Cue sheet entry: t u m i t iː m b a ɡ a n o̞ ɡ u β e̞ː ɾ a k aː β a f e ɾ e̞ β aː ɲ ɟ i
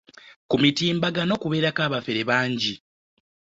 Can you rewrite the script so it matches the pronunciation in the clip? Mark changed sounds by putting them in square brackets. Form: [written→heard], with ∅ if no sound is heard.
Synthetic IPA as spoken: [t→k] u m i t iː m b a ɡ a n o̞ [ɡ→k] u β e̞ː ɾ a k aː β a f e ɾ e̞ β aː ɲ ɟ i